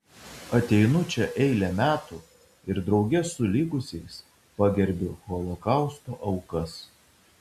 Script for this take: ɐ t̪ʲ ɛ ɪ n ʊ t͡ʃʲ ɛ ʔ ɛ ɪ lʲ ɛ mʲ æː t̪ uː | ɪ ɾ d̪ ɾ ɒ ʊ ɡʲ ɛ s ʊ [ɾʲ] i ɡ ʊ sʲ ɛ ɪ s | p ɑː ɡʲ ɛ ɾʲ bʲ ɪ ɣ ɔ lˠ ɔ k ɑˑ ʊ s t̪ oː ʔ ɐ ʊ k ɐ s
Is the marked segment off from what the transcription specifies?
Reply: yes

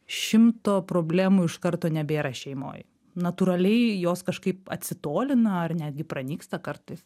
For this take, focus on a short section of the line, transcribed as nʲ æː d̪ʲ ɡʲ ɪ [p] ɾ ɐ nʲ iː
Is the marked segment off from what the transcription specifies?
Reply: no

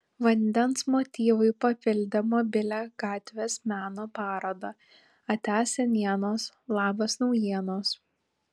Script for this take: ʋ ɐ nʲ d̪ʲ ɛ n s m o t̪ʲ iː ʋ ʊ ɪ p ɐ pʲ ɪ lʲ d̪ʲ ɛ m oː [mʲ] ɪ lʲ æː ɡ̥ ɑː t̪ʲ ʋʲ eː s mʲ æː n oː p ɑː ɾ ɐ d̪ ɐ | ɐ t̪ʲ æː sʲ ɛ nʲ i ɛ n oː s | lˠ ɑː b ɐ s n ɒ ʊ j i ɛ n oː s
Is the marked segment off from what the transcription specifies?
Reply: yes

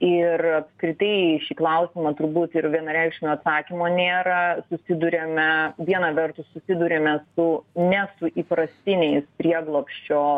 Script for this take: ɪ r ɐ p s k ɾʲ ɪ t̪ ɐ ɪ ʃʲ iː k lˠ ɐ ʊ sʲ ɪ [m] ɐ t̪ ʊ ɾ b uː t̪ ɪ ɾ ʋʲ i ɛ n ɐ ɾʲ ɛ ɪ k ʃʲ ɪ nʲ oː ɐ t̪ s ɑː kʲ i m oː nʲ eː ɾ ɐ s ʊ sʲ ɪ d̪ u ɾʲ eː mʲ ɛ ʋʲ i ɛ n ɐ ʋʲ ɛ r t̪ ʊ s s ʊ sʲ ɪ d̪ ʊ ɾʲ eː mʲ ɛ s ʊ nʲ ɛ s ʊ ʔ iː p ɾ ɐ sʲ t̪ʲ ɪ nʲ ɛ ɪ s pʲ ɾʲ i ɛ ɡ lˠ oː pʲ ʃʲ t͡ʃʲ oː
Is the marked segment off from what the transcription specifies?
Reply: no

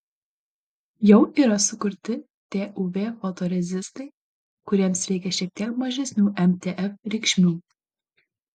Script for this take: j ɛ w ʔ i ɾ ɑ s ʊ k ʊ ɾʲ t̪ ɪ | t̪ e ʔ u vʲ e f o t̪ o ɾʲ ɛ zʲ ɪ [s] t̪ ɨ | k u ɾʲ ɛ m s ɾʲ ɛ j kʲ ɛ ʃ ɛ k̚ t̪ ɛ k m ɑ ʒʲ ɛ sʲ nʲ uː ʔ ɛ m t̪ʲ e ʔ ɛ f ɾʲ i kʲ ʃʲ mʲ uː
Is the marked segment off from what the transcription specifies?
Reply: no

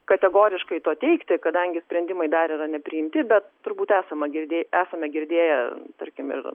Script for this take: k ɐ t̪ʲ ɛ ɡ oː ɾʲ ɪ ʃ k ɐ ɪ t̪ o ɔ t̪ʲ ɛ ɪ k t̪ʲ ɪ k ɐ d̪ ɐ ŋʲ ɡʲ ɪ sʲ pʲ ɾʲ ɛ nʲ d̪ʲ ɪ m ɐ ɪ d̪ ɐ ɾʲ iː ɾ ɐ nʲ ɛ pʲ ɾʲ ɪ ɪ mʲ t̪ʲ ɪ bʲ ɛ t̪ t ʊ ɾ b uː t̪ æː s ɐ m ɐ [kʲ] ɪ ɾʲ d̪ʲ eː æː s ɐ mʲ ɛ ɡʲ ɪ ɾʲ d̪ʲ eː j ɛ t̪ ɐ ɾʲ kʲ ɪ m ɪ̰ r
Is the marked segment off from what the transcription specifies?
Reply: yes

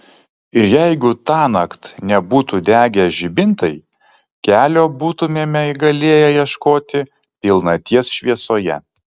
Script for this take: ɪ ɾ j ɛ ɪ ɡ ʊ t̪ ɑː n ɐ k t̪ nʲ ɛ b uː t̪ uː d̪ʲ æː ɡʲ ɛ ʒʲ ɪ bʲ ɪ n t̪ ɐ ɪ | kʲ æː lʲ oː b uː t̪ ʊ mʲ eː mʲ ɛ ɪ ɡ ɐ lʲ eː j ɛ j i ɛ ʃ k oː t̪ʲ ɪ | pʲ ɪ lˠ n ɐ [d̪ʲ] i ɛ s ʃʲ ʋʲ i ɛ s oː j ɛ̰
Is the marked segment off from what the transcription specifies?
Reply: yes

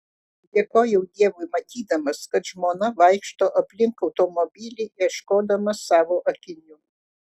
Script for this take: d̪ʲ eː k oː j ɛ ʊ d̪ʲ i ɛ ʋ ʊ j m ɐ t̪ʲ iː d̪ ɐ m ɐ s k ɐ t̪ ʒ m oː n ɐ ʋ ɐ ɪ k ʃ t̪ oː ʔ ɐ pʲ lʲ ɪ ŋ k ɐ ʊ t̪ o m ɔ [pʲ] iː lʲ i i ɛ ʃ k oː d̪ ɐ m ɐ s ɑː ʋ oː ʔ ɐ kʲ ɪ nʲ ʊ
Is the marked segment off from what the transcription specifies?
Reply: yes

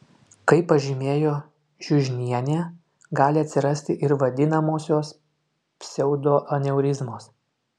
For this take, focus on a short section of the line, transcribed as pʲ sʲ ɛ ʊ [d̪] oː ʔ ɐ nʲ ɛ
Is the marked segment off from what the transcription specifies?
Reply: no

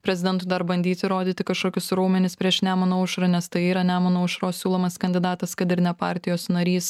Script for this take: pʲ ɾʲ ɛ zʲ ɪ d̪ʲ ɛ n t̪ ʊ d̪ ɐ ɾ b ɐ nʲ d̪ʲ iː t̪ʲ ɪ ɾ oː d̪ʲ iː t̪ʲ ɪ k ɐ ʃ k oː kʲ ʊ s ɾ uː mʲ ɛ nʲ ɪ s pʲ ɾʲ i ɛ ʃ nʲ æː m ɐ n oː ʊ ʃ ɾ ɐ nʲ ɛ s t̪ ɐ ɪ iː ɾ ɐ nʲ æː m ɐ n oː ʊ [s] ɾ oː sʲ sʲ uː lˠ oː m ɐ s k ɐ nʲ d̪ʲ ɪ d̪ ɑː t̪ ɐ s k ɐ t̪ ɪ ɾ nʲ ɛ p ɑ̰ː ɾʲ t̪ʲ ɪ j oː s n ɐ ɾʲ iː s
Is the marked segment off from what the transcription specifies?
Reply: yes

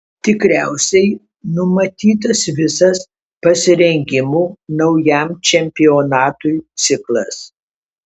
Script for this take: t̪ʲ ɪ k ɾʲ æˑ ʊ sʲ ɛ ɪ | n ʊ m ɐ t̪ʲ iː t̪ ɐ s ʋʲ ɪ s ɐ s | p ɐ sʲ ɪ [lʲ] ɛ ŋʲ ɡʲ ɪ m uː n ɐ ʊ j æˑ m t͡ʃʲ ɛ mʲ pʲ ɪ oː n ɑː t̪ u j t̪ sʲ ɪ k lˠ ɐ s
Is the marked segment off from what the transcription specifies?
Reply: yes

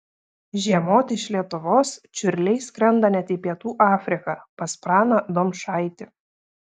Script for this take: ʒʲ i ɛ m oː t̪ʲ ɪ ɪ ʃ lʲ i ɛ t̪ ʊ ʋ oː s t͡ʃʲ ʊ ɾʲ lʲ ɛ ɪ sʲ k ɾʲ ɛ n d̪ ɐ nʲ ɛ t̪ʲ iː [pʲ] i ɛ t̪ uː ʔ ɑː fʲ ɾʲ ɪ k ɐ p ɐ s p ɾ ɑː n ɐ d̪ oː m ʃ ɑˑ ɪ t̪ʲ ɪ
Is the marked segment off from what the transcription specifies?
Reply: no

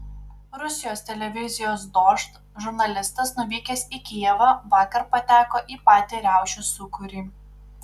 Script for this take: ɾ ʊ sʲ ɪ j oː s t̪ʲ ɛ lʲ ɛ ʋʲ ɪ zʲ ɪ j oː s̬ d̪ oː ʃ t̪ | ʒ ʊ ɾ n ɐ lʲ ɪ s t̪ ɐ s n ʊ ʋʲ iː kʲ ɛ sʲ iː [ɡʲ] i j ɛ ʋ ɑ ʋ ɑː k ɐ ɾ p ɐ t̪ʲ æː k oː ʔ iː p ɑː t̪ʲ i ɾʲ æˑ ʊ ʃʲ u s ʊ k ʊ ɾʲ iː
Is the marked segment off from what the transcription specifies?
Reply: yes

